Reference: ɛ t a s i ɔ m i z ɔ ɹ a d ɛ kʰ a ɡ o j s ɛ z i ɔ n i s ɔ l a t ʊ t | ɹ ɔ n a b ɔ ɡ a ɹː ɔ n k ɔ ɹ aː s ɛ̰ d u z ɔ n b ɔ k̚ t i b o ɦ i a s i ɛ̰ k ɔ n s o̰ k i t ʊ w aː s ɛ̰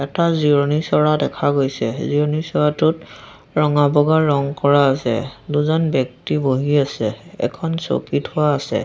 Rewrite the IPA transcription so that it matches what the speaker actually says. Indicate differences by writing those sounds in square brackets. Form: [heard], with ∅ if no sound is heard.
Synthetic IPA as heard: ɛ t a [z] i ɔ [n] i [s] ɔ ɹ a d ɛ kʰ a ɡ o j s ɛ z i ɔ n i s ɔ [ɹ] a t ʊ t | ɹ ɔ [ŋ] a b ɔ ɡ a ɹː ɔ [ŋ] k ɔ ɹ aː s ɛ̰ d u z ɔ n b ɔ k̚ t i b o ɦ i a s [ɛ] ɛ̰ [kʰ] ɔ n s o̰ k i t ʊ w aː s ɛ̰